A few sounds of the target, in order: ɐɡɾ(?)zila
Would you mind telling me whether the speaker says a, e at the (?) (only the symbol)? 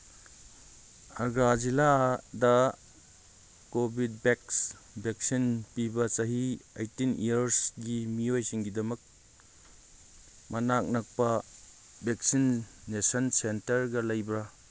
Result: a